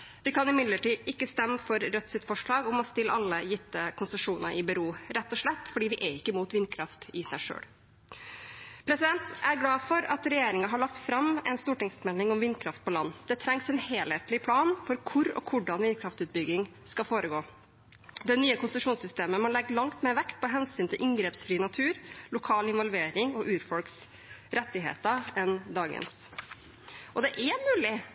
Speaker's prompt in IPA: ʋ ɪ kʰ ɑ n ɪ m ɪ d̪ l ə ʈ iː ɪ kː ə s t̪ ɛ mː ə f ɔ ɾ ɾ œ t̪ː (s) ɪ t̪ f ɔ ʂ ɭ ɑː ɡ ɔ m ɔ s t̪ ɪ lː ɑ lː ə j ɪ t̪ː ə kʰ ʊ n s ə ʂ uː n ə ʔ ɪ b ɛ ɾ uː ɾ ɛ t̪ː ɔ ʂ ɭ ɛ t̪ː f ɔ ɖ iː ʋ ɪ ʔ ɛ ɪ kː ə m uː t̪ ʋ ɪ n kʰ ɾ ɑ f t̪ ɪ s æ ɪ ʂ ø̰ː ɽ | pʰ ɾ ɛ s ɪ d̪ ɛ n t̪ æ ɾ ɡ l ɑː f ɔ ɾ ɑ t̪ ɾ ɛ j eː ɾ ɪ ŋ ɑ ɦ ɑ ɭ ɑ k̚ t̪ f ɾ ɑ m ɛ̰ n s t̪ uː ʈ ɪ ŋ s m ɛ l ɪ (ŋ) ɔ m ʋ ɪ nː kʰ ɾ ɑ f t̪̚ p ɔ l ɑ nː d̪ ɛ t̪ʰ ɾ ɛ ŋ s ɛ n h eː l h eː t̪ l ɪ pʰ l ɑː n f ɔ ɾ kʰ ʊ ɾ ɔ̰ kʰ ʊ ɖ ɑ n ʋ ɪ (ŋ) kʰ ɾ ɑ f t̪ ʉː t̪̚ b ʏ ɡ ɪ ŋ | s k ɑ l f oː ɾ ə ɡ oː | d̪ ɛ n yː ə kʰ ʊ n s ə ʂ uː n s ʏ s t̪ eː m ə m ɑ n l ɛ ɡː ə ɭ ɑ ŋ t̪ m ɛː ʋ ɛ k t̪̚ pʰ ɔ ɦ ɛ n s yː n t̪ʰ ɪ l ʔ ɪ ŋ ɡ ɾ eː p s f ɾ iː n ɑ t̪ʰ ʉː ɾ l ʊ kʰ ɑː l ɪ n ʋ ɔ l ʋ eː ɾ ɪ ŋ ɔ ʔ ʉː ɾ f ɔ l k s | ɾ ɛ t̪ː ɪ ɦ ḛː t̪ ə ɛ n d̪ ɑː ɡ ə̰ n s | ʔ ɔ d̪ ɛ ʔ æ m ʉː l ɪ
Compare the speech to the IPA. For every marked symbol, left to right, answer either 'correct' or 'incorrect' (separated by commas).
correct, correct, incorrect